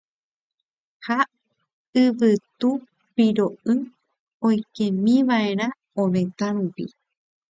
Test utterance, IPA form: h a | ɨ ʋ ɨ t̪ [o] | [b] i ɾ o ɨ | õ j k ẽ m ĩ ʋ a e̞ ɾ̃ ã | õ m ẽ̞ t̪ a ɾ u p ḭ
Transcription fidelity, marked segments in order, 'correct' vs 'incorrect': incorrect: u, incorrect: p

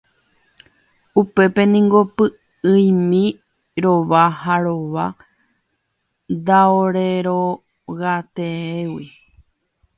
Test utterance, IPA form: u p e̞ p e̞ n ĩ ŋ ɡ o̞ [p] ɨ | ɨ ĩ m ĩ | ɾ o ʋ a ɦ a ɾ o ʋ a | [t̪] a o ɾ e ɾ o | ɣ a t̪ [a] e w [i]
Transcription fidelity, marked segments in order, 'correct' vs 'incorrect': correct, incorrect: d̪, incorrect: e, correct

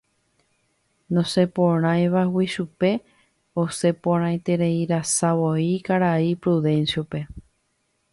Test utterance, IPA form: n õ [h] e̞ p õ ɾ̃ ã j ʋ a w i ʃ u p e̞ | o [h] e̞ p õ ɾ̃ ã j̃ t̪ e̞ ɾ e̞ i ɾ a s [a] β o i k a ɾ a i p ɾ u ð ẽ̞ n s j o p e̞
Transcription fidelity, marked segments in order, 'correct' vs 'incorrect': incorrect: s, incorrect: s, correct

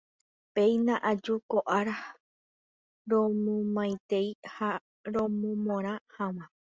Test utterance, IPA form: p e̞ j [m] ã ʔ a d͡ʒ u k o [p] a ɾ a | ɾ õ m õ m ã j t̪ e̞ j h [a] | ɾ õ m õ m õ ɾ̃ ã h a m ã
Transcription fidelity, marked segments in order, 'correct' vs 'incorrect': incorrect: n, incorrect: ʔ, correct

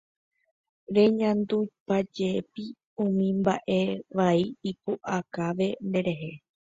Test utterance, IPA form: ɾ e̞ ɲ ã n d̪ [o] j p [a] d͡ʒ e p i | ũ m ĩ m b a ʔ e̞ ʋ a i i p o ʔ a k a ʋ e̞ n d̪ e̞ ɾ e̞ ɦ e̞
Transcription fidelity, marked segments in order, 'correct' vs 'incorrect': incorrect: u, correct

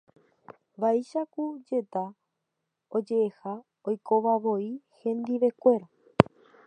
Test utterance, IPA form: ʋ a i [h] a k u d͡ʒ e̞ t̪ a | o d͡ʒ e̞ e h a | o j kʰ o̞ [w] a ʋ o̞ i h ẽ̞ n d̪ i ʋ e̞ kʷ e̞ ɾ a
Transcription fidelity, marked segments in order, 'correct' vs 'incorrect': incorrect: ʃ, incorrect: ʋ

